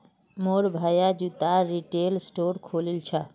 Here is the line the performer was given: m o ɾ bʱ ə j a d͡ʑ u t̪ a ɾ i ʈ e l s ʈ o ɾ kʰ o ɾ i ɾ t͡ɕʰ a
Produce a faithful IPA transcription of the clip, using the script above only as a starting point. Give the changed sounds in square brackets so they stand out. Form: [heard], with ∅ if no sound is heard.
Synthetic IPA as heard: m o ɾ bʱ [a] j a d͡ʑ u t̪ a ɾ i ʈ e l s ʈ o ɾ kʰ o [l] i [l] t͡ɕʰ a